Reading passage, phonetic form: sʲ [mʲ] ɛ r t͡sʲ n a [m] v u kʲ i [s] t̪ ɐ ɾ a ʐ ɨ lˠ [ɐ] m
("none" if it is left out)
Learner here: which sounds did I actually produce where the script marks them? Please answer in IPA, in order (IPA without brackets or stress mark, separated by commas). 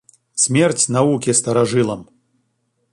mʲ, none, s, ɐ